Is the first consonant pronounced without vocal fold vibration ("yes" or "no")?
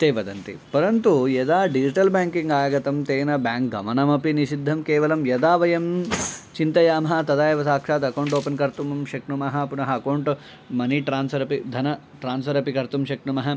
yes